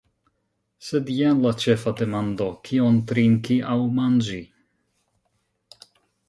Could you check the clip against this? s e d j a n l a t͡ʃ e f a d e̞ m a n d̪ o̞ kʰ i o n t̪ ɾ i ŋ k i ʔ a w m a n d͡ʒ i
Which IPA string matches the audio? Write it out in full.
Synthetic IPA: s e d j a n l a t͡ʃ e f a d e̞ m a n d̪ o̞ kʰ i o n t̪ ɾ i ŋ k i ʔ a w m a n d͡ʒ i